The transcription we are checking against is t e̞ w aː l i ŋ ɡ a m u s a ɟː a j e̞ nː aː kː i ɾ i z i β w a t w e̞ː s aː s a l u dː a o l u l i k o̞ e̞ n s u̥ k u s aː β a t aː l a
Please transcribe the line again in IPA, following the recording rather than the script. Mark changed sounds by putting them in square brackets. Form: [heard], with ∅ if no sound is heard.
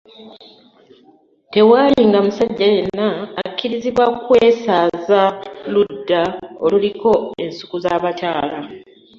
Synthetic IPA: t e̞ w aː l i ŋ ɡ a m u s a ɟː a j e̞ nː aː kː i ɾ i z i β w a [k] w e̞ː s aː [z] a l u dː a o l u l i k o̞ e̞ n s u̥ k u [z] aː β a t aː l a